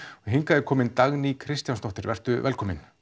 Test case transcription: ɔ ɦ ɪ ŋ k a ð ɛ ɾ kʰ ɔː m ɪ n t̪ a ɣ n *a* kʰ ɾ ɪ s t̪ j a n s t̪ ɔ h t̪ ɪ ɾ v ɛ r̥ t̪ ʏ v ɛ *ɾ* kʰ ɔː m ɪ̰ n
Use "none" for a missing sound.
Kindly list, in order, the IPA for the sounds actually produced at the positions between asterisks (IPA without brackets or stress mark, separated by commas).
i, l